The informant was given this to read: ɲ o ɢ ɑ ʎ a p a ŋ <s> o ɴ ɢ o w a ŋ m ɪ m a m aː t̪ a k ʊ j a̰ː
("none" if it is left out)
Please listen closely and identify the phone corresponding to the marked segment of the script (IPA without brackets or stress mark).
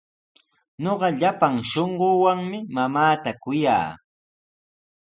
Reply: ʃ